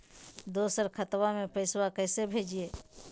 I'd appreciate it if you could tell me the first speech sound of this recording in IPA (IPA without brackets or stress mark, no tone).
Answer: d̪